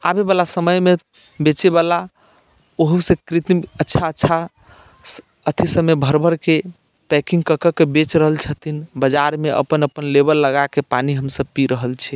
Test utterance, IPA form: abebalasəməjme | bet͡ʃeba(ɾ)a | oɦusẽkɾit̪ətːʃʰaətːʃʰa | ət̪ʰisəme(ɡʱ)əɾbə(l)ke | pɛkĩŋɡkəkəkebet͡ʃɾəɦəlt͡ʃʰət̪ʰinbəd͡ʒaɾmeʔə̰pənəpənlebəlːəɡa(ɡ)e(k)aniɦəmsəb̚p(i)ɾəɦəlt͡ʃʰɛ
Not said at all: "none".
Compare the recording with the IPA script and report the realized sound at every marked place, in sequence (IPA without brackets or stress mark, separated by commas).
l, bʱ, ɾ, k, p, i